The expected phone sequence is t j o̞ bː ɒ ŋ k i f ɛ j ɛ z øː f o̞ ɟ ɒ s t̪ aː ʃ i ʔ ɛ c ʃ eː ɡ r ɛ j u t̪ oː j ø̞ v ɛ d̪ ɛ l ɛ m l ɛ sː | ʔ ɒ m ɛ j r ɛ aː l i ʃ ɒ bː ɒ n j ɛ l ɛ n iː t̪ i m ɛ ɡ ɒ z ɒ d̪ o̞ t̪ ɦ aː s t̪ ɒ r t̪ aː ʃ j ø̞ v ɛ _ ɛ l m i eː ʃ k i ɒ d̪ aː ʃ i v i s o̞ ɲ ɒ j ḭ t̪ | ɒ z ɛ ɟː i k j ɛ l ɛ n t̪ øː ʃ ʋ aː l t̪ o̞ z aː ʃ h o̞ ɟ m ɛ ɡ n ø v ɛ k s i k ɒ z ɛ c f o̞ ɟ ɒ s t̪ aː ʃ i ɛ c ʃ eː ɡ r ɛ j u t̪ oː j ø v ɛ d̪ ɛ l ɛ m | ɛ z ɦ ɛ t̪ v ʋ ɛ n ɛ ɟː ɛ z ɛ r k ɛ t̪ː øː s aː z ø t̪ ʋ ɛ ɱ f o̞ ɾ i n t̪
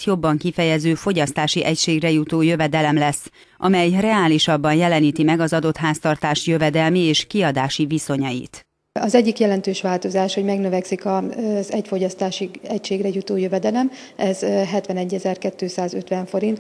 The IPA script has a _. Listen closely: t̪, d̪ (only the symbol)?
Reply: d̪